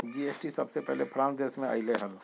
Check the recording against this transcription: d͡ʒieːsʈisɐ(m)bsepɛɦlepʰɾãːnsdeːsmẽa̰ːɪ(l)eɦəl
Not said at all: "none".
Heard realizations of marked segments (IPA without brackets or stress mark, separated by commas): none, l